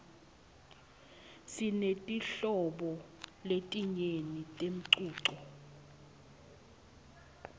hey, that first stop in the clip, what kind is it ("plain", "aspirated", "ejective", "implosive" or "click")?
ejective